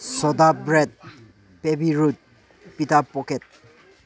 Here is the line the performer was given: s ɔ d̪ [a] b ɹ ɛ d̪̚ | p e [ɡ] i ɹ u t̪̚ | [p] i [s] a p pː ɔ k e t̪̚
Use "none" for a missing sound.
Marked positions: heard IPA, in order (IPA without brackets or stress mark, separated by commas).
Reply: a, b, p, t